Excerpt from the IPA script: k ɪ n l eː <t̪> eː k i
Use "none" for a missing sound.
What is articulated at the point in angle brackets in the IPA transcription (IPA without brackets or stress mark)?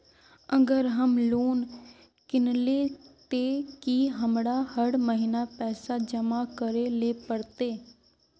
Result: t̪